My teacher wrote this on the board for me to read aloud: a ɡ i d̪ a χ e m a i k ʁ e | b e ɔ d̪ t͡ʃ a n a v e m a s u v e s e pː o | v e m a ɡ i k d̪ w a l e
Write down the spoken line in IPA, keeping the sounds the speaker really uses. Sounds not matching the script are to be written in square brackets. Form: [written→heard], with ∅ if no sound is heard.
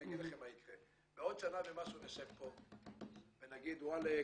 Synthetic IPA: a ɡ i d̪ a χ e m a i k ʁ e | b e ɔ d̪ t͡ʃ a n a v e m a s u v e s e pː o | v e [m→n] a ɡ i [k→∅] d̪ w a l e